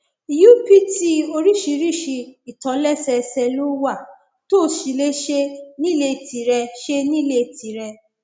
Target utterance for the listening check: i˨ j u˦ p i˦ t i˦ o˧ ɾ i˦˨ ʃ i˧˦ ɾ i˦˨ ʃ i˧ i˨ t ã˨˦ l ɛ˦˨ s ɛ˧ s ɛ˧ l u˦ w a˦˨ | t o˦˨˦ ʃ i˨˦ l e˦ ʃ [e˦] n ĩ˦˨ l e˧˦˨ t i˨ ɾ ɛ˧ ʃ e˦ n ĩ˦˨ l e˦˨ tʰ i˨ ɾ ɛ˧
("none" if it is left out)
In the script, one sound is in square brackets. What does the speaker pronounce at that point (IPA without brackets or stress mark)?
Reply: e˦